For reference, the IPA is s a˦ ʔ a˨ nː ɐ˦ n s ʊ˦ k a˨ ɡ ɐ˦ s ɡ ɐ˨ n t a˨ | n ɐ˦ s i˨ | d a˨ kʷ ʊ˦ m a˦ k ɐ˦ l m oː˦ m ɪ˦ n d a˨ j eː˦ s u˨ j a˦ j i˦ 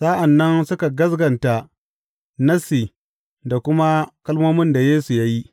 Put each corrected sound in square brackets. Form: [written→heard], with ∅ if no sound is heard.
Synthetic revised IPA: s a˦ ʔ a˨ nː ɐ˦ n s ʊ˦ k a˨ ɡ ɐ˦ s ɡ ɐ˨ n t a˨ | n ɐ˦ s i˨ | d a˨ kʷ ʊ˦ m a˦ k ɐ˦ l m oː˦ m ɪ˦ n d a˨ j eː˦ s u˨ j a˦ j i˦